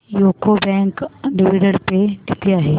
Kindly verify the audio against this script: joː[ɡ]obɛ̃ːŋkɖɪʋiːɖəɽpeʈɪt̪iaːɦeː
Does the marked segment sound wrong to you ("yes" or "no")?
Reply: yes